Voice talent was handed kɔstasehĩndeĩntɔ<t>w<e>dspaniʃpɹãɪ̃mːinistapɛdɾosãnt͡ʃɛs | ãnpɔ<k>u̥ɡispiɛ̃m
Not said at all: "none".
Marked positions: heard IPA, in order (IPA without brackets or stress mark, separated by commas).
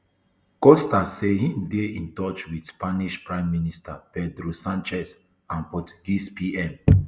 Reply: t͡ʃ, i, t